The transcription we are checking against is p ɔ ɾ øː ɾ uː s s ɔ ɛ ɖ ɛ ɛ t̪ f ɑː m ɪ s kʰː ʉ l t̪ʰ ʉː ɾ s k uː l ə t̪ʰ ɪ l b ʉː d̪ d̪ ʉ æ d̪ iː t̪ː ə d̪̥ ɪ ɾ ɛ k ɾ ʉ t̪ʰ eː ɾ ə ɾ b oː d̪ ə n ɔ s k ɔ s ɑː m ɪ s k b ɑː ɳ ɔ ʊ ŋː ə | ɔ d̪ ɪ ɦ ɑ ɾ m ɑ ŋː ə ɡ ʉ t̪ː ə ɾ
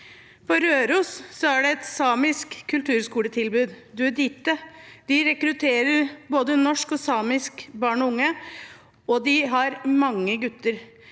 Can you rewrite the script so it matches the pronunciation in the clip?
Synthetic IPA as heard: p ɔ ɾ øː ɾ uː s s ɔ æ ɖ ɛ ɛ t̪ s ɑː m ɪ s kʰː ʉ l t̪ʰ ʉː ɾ s k uː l ə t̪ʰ ɪ l b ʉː d̪ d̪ ʉ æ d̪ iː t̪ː ə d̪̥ ɪ ɾ ɛ k ɾ ʉ t̪ʰ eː ɾ ə ɾ b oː d̪ ə n ɔ ʂ k ɔ s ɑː m ɪ s k b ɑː ɳ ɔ ʊ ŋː ə | ɔ d̪ ɪ ɦ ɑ ɾ m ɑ ŋː ə ɡ ʉ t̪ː ə ɾ